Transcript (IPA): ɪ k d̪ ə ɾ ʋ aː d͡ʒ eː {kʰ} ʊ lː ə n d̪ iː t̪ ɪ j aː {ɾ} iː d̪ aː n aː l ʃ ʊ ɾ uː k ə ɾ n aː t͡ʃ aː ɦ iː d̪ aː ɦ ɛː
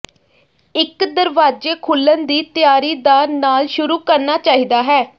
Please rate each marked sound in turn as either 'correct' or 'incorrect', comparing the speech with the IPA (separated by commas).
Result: correct, correct